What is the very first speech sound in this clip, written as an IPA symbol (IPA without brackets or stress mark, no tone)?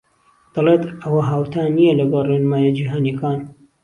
d̪̥